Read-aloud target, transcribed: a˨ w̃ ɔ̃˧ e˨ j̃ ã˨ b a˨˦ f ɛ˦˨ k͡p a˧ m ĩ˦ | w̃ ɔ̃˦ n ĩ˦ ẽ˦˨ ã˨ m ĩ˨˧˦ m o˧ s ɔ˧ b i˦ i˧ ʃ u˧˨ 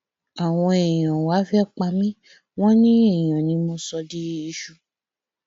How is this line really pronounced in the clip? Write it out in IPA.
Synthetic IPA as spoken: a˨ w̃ ɔ̃˧ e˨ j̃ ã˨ w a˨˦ f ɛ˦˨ k͡p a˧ m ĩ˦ | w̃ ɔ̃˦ n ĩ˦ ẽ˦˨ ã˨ n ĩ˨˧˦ m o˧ s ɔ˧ d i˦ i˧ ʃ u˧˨